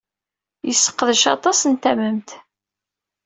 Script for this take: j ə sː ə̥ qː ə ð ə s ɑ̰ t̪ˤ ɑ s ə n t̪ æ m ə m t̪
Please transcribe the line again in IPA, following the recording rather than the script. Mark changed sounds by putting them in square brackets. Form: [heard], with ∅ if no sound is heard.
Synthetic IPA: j ə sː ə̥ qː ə ð ə [ʃ] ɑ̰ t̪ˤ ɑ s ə n t̪ æ m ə m t̪